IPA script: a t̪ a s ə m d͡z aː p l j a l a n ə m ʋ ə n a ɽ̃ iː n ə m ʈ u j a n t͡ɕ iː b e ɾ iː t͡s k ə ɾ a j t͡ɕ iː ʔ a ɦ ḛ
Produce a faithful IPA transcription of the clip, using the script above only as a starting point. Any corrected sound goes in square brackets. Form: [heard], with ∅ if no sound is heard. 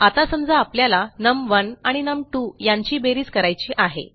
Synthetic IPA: a t̪ a s ə m d͡z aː p l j a l a n ə m ʋ ə n a ɽ̃ [i] n ə m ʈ u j a [ɲ] t͡ɕ iː b e ɾ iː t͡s k ə ɾ a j t͡ɕ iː ʔ a ɦ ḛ

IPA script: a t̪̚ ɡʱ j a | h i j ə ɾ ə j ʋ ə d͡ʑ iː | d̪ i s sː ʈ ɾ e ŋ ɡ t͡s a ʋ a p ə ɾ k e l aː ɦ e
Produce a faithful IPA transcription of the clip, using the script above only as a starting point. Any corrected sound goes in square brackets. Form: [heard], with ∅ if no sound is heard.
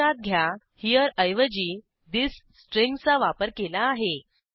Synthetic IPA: a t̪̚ ɡʱ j a | h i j ə ɾ ə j ʋ ə d͡ʑ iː | d̪ i s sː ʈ ɾ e ŋ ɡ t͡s a ʋ a p ə ɾ k e l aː ɦ e

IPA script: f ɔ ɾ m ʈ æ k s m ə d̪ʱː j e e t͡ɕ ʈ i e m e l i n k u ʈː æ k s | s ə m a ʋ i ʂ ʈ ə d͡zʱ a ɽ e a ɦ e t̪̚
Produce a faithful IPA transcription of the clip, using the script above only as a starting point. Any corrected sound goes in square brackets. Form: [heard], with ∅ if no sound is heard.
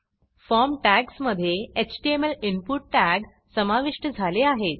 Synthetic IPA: f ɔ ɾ m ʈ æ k s m ə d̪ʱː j e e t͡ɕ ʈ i e m e l i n [p] u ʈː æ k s | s ə m a ʋ i ʂ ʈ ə d͡zʱ a [l] e a ɦ e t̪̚

